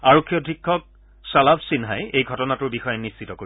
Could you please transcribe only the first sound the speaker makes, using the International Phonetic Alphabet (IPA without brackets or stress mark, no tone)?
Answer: a